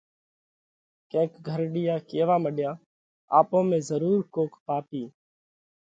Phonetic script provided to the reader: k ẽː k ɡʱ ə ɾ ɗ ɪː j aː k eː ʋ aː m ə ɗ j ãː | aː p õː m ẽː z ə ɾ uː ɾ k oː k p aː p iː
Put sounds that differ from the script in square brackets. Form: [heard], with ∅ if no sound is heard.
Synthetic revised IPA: k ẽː k ɡʱ ə ɾ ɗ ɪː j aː k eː ʋ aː m ə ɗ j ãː | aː p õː m ẽː z ə ɾ uː ɾ k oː k p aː p iː